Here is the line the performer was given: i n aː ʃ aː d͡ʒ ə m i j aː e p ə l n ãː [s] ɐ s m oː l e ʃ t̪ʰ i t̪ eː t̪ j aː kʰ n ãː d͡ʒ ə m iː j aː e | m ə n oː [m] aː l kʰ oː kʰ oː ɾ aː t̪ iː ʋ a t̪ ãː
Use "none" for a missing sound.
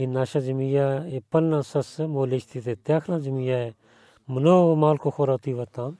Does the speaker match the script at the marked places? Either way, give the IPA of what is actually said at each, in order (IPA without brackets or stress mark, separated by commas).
s, m